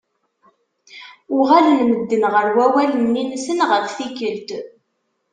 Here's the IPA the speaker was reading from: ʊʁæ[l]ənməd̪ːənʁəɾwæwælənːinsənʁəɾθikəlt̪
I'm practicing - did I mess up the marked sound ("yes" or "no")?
no